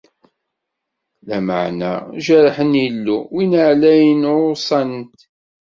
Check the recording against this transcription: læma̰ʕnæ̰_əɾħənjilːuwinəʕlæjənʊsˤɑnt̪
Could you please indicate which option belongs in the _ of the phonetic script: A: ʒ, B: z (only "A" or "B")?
A